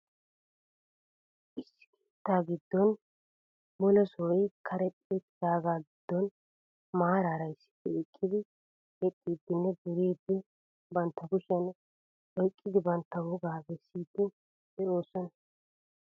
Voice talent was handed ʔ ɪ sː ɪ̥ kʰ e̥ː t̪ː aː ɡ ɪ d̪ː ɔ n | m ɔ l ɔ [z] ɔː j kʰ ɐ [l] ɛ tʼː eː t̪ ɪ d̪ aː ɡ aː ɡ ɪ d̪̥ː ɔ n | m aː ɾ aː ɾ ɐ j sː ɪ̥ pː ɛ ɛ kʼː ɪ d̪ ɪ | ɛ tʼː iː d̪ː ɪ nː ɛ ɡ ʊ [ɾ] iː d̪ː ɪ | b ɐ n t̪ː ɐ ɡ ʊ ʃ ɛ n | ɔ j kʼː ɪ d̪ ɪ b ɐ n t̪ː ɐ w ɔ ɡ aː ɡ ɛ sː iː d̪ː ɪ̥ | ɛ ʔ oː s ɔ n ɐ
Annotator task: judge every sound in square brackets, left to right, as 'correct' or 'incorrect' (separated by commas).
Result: incorrect, incorrect, correct